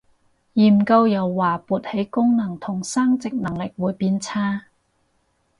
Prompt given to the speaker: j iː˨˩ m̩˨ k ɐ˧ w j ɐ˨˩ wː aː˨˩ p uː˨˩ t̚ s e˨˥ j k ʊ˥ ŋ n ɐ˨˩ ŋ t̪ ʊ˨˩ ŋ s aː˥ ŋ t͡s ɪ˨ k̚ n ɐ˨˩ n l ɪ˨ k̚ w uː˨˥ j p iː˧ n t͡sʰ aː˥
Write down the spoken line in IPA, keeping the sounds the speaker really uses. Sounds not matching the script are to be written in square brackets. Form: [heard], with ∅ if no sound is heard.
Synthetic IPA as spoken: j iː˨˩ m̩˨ k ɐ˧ w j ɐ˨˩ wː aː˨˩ p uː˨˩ t̚ [h] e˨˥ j k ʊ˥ ŋ n ɐ˨˩ ŋ [t̪ʰ] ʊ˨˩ ŋ s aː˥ ŋ t͡s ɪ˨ k̚ n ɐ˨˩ [ŋ] l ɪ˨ k̚ w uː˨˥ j p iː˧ n t͡sʰ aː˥